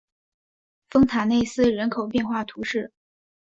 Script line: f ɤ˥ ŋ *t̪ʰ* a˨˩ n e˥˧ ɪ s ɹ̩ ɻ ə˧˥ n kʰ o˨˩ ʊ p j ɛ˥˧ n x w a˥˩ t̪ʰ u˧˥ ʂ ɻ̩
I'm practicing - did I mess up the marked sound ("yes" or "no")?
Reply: no